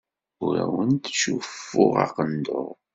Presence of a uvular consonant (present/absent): present